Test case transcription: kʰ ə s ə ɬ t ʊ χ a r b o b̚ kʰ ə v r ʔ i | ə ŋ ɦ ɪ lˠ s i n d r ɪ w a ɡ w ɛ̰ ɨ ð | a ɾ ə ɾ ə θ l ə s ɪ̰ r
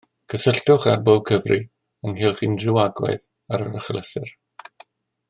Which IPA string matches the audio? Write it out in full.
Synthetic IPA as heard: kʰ ə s ə ɬ t ʊ χ a r b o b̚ kʰ ə v r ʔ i | ə ŋ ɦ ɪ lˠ χ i n d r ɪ w a ɡ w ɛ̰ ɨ ð | a ɾ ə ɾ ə χ l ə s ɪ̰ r